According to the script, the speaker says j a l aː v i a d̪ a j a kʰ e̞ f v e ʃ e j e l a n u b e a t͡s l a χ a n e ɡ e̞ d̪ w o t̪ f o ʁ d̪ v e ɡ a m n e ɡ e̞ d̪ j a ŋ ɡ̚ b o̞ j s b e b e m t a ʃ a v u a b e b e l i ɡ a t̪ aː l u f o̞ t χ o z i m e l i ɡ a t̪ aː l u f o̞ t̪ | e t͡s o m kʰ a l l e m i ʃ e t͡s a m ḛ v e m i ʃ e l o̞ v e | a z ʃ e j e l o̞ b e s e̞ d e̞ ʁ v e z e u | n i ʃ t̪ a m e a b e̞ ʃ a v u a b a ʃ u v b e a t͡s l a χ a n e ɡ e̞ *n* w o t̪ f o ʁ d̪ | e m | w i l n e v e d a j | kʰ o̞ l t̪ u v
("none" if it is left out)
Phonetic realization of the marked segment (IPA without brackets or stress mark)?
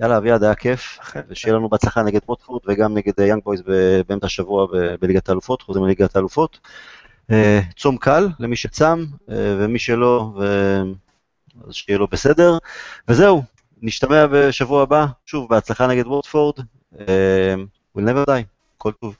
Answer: d